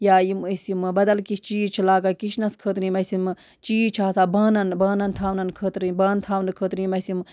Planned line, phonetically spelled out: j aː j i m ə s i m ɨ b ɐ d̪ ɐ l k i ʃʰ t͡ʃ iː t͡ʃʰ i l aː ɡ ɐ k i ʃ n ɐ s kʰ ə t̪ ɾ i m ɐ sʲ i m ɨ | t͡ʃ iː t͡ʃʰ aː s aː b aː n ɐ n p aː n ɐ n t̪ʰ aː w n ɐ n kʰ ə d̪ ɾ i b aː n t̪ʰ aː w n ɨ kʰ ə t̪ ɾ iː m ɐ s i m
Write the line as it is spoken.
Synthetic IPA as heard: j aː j i m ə s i m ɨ b ɐ d̪ ɐ l k i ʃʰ t͡ʃ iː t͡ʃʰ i l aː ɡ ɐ k i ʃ n ɐ s kʰ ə t̪ ɾ i m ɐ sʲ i m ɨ | t͡ʃ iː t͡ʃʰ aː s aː b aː n ɐ n b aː n ɐ n t̪ʰ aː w n ɐ n kʰ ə t̪ ɾ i b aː n t̪ʰ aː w n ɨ kʰ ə t̪ ɾ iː m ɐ s i m

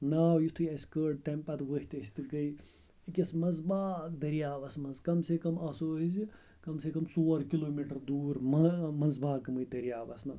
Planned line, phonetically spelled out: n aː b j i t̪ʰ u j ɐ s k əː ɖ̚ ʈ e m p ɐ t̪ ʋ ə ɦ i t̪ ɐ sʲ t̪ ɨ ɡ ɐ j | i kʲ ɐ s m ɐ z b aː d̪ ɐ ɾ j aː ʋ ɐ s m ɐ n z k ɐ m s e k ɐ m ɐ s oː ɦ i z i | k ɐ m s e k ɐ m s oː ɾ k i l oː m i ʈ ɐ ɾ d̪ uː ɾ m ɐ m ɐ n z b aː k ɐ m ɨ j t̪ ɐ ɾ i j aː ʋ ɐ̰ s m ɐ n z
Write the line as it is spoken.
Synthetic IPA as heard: n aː w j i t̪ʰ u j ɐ s k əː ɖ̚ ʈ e m p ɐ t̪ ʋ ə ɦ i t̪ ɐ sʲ t̪ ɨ ɡ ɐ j | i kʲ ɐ s m ɐ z b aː d̪ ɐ ɾ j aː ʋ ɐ s m ɐ n z k ɐ m s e k ɐ m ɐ s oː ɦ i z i | k ɐ m s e k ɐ m s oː ɾ k i l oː m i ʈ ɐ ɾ d̪ uː ɾ m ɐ m ɐ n z b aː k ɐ m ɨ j d̪ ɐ ɾ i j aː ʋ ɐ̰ s m ɐ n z

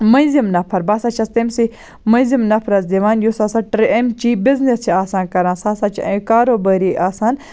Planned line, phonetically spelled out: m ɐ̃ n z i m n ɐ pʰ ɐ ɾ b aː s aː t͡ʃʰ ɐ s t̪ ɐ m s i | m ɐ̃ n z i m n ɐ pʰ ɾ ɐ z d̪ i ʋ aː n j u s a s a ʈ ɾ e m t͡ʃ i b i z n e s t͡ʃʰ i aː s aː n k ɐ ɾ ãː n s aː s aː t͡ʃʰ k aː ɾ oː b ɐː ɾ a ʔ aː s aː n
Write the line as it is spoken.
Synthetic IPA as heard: m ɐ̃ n z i m n ɐ pʰ ɐ ɾ b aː s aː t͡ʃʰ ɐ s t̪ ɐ m s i | m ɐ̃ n z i m n ɐ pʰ ɾ ɐ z d̪ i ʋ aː n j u s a s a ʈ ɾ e m t͡ʃ i b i z n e s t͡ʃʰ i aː s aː n k ɐ ɾ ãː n s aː s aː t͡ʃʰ k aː ɾ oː b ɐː ɾ i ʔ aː s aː n

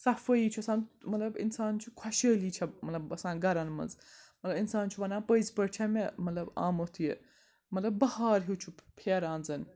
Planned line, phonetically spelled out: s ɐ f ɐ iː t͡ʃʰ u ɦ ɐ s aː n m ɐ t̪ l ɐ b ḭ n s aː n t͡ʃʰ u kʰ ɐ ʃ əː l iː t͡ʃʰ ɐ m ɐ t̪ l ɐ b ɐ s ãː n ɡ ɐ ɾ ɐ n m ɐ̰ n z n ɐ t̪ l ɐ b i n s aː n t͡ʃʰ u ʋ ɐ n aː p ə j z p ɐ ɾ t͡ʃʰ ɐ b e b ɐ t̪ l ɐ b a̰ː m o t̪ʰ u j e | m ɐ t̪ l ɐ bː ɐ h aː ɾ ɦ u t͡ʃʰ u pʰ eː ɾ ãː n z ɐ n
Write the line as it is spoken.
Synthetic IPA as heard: s ɐ f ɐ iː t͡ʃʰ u ɐ s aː n m ɐ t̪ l ɐ b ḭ n s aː n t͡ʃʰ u kʰ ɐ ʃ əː l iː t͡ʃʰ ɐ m ɐ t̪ l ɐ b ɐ s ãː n ɡ ɐ ɾ ɐ n m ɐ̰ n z m ɐ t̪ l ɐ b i n s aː n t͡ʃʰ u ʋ ɐ n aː p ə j z p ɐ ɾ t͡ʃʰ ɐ m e m ɐ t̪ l ɐ b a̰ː m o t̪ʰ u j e | m ɐ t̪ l ɐ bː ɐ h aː ɾ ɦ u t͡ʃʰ u pʰ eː ɾ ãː n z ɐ n

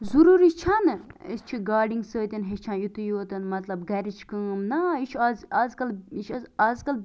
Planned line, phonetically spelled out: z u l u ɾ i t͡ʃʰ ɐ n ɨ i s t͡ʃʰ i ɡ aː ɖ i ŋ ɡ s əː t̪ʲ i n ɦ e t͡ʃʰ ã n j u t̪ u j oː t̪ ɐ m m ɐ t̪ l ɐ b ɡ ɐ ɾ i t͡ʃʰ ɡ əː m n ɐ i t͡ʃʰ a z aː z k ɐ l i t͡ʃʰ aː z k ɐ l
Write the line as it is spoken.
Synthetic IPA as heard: z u ɾ u ɾ i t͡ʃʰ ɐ n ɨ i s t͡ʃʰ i ɡ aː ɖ i ŋ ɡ s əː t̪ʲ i n ɦ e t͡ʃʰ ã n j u t̪ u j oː t̪ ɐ n m ɐ t̪ l ɐ b ɡ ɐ ɾ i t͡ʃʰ k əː m n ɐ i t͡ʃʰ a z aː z k ɐ l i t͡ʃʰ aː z k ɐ l

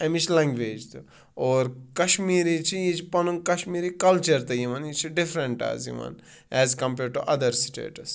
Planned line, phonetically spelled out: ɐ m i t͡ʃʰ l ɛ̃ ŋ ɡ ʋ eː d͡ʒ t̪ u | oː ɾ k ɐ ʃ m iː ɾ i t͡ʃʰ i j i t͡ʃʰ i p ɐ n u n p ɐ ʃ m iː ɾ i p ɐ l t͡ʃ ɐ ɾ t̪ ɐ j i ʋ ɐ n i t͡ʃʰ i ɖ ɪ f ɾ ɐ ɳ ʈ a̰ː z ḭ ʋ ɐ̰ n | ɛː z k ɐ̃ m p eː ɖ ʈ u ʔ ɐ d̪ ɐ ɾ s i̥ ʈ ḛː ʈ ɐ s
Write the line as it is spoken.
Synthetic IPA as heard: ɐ m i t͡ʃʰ l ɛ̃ ŋ ɡ ʋ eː d͡ʒ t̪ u | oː ɾ k ɐ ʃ m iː ɾ i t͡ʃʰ i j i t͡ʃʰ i p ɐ n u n k ɐ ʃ m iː ɾ i k ɐ l t͡ʃ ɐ ɾ t̪ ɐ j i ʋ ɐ n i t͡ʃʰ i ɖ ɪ f ɾ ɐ ɳ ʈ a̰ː z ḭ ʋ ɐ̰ n | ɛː z k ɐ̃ m p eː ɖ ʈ u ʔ ɐ d̪ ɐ ɾ s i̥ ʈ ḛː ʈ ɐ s

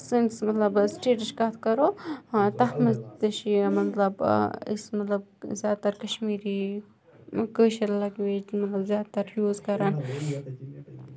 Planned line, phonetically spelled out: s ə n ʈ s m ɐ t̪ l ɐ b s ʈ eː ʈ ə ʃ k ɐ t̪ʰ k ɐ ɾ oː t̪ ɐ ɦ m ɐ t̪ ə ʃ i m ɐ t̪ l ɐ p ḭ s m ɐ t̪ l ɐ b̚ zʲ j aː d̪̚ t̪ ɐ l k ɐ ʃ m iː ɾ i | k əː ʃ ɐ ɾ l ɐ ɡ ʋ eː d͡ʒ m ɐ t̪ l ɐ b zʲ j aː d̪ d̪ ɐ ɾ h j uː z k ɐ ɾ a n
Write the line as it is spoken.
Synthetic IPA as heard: s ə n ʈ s m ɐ t̪ l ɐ b s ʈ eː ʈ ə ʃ k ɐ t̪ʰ k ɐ ɾ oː t̪ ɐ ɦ m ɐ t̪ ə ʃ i m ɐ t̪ l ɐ b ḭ s m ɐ t̪ l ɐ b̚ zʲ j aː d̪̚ t̪ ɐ ɾ k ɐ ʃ m iː ɾ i | k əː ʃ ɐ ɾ l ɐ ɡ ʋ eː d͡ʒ m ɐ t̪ l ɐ b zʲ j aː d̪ t̪ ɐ ɾ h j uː z k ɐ ɾ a n

